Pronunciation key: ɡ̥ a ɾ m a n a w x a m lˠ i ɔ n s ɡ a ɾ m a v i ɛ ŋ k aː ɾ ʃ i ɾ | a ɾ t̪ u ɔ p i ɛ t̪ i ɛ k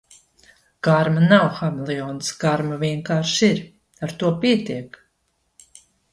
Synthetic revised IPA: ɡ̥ a ɾ m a n a w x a m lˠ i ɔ n s ɡ a ɾ m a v i ɛ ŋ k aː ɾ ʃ i ɾ | a ɾ t̪ u ɔ p i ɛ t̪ i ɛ k